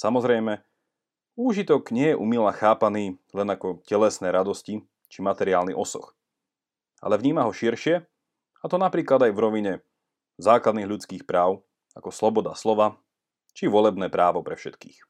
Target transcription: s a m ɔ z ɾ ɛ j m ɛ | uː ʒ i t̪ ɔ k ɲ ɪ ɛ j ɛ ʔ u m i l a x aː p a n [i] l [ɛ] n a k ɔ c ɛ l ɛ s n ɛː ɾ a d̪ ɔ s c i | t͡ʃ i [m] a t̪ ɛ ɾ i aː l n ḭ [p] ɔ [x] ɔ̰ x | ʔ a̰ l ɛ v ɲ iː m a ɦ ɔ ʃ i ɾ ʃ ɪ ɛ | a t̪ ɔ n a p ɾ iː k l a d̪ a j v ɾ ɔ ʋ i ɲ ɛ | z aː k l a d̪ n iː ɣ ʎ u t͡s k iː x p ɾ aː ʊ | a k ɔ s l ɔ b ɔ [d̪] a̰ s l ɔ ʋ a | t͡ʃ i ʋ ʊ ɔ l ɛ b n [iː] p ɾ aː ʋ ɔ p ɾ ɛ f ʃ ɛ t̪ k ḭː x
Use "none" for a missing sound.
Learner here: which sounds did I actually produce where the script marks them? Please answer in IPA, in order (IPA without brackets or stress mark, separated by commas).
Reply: iː, ɛ, m, ʔ, s, d̪, ɛː